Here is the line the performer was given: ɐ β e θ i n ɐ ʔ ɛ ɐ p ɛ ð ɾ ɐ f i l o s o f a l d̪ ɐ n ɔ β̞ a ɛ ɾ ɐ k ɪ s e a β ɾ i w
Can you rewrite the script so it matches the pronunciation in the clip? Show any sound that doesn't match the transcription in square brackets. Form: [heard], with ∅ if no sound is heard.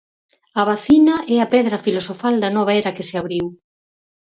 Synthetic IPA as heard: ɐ β [a] θ i n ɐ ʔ ɛ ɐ p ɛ ð ɾ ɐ f i l o s o f a l d̪ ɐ n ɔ β̞ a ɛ ɾ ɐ k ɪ s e a β ɾ i w